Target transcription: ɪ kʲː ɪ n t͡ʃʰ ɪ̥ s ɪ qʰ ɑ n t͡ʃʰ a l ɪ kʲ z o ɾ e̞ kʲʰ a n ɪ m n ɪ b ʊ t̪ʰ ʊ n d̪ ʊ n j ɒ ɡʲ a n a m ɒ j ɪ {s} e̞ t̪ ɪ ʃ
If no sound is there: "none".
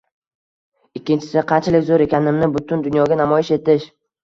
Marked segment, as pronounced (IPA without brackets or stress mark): ʃ